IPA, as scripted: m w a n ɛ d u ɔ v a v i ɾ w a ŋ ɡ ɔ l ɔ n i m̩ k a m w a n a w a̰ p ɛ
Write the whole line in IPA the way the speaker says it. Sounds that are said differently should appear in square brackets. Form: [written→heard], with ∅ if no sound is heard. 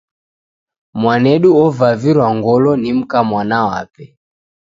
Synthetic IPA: m w a n ɛ [d→ɗ] u ɔ v a v i ɾ w a ŋ ɡ ɔ l ɔ n i m̩ k a m w a n a w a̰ p ɛ